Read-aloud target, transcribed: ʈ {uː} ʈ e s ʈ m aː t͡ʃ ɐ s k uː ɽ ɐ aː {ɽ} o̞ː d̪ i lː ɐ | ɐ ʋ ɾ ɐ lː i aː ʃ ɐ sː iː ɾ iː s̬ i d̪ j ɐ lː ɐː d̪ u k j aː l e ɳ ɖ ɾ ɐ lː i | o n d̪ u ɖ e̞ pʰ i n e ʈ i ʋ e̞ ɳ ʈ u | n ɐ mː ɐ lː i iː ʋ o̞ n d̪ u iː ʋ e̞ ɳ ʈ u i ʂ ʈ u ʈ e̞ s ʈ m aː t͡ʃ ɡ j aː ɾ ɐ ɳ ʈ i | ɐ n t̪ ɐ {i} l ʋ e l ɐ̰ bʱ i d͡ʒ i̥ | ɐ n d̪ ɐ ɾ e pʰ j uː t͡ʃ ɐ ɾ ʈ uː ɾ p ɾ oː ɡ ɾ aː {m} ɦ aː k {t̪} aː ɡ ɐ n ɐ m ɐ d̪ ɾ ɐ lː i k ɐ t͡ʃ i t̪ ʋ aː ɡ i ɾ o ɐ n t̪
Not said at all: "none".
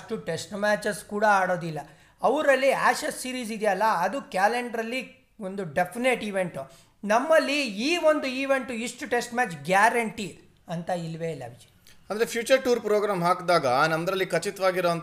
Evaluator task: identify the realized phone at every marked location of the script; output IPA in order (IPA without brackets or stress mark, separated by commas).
u, ɽ, i, m, d̪